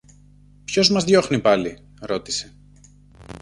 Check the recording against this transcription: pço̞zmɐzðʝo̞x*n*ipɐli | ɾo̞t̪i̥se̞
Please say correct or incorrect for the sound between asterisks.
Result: correct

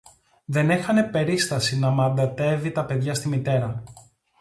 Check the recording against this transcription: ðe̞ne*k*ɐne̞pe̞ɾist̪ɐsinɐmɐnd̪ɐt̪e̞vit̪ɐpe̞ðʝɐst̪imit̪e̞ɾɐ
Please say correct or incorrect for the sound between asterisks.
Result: incorrect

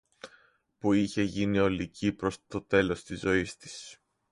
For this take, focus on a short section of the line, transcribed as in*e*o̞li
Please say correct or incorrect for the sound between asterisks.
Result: incorrect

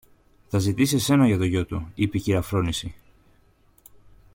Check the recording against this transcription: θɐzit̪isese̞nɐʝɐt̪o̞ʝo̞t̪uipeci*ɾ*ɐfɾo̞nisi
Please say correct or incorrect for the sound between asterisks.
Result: correct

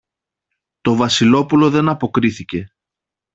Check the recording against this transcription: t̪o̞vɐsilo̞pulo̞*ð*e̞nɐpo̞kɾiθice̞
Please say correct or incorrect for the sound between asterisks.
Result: correct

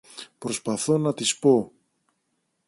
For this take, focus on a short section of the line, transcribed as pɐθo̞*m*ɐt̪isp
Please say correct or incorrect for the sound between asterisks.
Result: incorrect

